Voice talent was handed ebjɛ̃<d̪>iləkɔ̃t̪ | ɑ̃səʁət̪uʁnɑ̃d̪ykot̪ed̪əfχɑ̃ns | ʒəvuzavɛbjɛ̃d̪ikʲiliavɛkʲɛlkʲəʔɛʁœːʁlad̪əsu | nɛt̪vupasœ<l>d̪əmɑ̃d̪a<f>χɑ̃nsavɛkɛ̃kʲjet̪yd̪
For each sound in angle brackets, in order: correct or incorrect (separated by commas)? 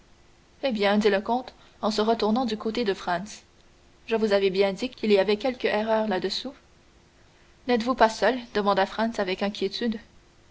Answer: correct, correct, correct